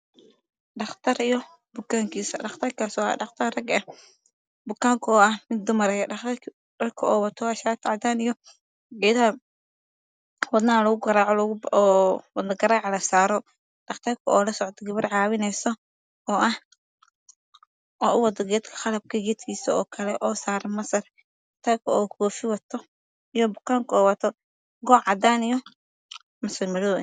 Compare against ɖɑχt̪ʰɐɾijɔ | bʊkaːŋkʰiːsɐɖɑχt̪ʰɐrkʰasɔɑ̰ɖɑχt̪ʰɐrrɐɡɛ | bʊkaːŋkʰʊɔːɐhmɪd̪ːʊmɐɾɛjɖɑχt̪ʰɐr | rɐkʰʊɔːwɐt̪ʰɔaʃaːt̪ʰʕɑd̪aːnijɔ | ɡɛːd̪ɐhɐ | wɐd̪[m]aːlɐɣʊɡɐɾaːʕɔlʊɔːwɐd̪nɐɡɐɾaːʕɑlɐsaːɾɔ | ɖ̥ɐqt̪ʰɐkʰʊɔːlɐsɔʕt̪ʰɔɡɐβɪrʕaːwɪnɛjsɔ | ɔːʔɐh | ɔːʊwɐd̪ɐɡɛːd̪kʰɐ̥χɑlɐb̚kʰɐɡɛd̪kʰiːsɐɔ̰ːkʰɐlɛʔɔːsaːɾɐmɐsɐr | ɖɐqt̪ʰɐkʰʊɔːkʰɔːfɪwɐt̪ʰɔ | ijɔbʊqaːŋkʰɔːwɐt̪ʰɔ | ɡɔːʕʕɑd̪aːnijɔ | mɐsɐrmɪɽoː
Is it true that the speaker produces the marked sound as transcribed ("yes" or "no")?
no